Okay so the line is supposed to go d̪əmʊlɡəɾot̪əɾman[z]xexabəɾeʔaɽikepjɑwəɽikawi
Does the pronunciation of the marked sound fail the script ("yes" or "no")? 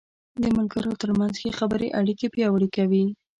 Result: no